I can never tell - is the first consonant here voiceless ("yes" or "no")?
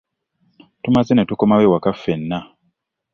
yes